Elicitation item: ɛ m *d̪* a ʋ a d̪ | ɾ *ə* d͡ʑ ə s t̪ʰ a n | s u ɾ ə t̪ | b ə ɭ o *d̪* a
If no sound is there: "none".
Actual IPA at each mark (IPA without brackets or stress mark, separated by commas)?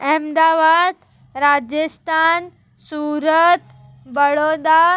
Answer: d̪, a, d̪